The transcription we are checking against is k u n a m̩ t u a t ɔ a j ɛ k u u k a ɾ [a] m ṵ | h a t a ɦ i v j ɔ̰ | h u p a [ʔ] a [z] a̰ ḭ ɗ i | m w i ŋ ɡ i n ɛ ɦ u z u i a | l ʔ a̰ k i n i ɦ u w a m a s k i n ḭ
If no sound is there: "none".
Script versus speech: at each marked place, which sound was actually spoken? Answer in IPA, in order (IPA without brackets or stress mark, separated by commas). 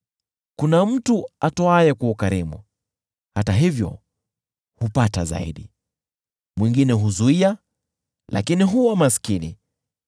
i, t, z